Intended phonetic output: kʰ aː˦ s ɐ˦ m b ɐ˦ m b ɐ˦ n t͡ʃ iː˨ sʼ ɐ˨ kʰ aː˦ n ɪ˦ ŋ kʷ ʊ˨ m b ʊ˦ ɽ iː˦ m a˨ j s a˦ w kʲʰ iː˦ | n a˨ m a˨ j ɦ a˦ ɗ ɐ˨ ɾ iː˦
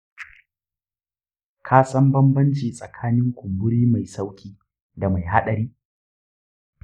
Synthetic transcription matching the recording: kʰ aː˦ s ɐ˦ m b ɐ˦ m b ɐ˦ n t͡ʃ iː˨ sʼ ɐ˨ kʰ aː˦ n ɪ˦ ŋ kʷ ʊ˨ m b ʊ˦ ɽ iː˦ m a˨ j s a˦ w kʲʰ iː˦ | d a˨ m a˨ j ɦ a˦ ɗ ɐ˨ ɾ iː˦